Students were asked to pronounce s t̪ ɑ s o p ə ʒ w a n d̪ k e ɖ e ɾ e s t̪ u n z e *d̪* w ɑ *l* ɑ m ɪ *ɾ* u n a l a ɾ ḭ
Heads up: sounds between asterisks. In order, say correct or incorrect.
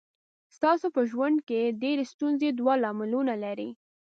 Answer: correct, correct, incorrect

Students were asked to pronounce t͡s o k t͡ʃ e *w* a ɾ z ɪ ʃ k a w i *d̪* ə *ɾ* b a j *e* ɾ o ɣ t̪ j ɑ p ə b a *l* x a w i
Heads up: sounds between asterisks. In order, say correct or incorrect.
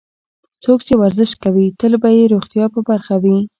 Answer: correct, incorrect, incorrect, correct, incorrect

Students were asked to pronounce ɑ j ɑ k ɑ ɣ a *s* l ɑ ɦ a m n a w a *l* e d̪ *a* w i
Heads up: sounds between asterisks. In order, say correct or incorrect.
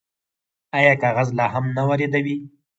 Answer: incorrect, incorrect, correct

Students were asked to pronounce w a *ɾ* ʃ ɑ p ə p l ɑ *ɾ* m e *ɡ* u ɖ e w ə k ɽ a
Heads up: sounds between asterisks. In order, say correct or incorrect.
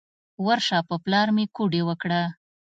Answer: correct, correct, incorrect

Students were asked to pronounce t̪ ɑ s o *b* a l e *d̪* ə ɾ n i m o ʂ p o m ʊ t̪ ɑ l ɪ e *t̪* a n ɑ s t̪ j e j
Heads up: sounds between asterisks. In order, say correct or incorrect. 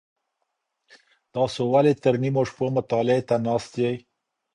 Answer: incorrect, incorrect, correct

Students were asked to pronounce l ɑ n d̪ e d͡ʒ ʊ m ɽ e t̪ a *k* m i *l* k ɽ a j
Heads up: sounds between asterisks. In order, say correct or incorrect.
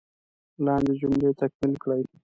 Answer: correct, correct

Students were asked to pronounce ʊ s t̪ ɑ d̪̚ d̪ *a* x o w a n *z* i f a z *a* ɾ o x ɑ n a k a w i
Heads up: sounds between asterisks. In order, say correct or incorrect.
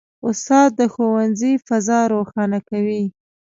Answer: incorrect, correct, incorrect

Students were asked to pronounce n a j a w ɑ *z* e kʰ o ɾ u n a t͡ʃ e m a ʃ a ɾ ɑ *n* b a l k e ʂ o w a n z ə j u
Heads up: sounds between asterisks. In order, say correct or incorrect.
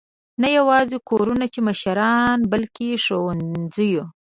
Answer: correct, correct

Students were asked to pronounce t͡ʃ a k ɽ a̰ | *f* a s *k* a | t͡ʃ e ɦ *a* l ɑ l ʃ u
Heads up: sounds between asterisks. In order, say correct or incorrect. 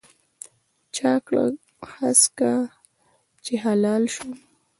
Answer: incorrect, correct, correct

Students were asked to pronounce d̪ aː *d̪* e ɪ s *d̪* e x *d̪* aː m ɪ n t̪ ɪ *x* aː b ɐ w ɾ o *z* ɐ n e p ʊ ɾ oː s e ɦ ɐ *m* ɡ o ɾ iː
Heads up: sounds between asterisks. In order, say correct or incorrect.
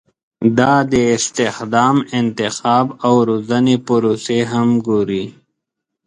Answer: correct, incorrect, correct, correct, correct, correct

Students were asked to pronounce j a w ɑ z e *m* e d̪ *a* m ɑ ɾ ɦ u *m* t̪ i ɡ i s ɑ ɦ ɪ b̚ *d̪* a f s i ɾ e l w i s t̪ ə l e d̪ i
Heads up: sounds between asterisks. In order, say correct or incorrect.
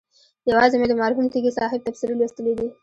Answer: correct, incorrect, correct, incorrect

